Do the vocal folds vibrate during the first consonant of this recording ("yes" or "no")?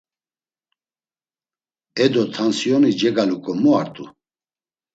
yes